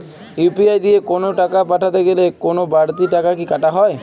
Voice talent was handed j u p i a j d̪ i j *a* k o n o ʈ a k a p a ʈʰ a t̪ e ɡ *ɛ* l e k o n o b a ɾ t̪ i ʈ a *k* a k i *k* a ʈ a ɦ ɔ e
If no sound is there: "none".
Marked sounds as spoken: e, e, k, k

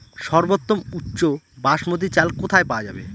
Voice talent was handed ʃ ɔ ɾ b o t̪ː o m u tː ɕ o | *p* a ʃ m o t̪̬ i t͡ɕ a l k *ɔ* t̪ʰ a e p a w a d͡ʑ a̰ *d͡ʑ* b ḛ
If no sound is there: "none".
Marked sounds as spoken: b, o, none

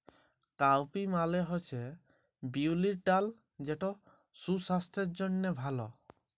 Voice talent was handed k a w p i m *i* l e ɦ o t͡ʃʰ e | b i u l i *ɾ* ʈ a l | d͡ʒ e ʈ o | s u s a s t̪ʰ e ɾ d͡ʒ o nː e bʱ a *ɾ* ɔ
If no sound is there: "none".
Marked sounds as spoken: a, ɾ, l

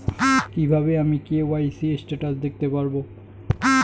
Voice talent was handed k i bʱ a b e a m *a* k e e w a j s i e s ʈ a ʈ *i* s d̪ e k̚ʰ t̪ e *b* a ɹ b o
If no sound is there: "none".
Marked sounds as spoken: i, a, p

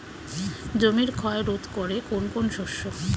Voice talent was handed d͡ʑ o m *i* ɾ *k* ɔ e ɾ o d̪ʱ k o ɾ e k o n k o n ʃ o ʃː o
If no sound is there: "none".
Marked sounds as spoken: i, kʰ

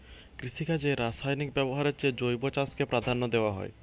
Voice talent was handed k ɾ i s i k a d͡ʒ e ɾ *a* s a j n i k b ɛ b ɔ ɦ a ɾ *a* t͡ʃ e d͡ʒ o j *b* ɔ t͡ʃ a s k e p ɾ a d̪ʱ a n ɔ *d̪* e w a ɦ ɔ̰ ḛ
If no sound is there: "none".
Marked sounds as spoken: a, e, b, d̪

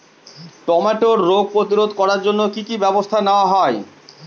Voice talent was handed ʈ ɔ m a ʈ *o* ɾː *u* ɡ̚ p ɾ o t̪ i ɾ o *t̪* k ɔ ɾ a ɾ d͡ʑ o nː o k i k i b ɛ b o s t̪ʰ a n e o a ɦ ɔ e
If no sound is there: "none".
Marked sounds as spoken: o, o, d̪

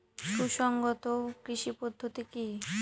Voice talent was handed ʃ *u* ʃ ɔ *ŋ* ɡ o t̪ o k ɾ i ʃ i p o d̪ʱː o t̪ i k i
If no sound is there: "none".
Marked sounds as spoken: u, ŋ

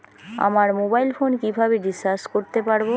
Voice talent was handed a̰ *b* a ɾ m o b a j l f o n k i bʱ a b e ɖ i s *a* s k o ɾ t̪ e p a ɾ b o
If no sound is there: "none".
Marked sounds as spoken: m, a

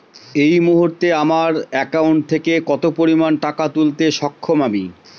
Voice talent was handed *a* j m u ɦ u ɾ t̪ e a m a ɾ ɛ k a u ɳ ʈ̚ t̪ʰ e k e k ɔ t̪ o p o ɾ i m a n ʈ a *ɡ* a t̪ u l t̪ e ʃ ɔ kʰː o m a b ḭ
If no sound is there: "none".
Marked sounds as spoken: e, k

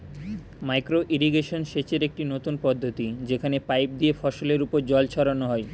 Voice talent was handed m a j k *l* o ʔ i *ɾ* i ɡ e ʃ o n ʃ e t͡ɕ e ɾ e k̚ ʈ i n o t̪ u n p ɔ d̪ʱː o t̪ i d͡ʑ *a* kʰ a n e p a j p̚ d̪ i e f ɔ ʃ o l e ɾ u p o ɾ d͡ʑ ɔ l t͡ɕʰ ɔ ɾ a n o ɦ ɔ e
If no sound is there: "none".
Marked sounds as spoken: ɾ, ɾ, e

